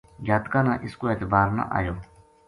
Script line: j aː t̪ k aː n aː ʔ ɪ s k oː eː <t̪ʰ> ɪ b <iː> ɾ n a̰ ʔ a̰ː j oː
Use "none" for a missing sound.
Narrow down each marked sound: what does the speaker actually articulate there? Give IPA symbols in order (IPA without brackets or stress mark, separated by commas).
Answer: t̪, aː